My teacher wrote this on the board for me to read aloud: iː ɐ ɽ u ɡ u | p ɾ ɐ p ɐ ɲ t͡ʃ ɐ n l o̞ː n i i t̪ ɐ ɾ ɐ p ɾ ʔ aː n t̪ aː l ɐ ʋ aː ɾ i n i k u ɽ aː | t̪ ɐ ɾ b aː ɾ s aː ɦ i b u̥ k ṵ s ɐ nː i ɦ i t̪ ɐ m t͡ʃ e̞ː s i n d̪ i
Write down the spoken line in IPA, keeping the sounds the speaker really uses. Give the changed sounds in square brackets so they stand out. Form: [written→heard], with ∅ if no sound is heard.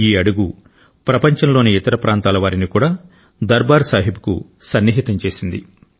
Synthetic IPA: iː ɐ ɽ u ɡ u | p ɾ ɐ p ɐ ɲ t͡ʃ ɐ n l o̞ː n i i t̪ ɐ ɾ ɐ p ɾ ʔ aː n t̪ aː l ɐ ʋ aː ɾ i n i k [u→uː] ɽ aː | [t̪→d̪] ɐ ɾ b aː ɾ s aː ɦ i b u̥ k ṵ s ɐ nː i ɦ i t̪ ɐ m t͡ʃ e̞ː s i n d̪ i